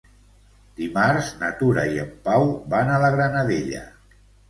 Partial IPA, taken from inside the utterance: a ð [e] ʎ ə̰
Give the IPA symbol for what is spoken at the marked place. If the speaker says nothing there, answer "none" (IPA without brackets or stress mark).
e